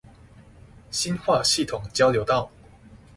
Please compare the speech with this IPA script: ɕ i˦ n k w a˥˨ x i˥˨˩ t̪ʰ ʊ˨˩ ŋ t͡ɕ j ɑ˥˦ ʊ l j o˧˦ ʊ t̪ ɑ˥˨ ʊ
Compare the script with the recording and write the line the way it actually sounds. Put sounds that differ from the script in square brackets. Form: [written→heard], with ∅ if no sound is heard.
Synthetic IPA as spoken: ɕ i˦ n [k→x] w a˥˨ [x→ɕ] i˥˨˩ t̪ʰ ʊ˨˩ ŋ t͡ɕ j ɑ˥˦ ʊ l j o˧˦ ʊ t̪ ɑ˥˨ ʊ